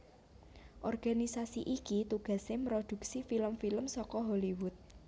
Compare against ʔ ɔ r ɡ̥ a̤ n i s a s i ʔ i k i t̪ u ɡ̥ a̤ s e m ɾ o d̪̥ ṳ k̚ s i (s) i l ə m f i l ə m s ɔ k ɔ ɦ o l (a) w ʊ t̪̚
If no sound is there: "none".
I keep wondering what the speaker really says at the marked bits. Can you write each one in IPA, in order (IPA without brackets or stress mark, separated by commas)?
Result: f, i